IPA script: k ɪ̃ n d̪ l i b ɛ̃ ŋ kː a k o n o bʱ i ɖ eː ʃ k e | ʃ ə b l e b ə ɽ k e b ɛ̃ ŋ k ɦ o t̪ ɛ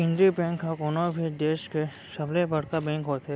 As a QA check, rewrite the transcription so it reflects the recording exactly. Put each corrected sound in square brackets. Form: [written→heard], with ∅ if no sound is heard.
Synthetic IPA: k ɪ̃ n d̪ [l→ɾ] i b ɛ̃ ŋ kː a k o n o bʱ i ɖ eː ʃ k e | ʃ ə b l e b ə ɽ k [e→a] b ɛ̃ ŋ k ɦ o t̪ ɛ